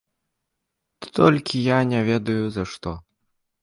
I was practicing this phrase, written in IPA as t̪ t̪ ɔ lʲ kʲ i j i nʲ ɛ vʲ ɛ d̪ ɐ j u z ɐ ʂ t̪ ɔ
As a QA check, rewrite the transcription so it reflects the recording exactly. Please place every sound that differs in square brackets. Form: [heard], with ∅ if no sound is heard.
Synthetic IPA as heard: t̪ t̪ ɔ lʲ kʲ i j [a] nʲ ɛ vʲ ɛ d̪ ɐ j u z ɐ ʂ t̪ ɔ